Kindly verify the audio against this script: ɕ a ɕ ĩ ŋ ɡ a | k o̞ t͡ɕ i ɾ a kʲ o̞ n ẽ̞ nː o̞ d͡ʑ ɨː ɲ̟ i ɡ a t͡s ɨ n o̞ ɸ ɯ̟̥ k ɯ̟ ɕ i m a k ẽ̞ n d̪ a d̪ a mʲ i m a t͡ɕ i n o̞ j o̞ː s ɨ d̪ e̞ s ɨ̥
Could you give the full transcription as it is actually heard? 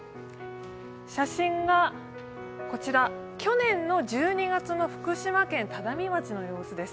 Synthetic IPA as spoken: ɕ a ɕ ĩ ŋ ɡ a | k o̞ t͡ɕ i ɾ a kʲ o̞ n ẽ̞ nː o̞ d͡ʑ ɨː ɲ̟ i ɡ a t͡s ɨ n o̞ ɸ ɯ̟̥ k ɯ̟ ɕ i m a k ẽ̞ n t̪ a d̪ a mʲ i m a t͡ɕ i n o̞ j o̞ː s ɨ d̪ e̞ s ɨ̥